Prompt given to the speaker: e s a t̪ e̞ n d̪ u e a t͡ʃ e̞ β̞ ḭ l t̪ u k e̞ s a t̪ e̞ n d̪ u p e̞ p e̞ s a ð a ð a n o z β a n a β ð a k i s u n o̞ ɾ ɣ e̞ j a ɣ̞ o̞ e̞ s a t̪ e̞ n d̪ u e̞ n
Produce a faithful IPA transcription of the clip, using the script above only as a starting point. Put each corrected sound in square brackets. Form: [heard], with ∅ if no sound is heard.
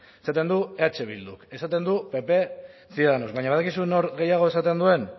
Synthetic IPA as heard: e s a t̪ e̞ n d̪ u e a t͡ʃ e̞ β̞ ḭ l [d̪] u k e̞ s a t̪ e̞ n d̪ u p e̞ p e̞ s [i] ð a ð a n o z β a [ɲ] a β ð a k i s u n o̞ ɾ ɣ e̞ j a ɣ̞ o̞ e̞ s a t̪ e̞ n d̪ u e̞ n